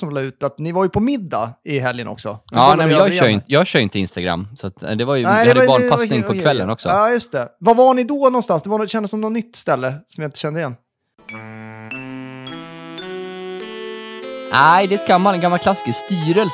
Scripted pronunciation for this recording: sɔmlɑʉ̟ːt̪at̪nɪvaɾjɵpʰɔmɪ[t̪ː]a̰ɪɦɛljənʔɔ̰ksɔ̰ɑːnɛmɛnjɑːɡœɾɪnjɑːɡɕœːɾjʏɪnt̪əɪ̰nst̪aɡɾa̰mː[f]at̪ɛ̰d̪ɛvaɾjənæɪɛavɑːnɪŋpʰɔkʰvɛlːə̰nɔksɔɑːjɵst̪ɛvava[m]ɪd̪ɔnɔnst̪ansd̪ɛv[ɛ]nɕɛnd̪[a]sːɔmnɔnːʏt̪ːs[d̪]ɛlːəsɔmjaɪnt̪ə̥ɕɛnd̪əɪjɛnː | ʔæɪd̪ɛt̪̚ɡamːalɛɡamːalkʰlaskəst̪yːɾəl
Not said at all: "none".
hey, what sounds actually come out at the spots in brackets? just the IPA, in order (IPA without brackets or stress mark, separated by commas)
d̪ː, s, ɳ, a, ə, t̪